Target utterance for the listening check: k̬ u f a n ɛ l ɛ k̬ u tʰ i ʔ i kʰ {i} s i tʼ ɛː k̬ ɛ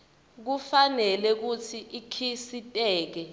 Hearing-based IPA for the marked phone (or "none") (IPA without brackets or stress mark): i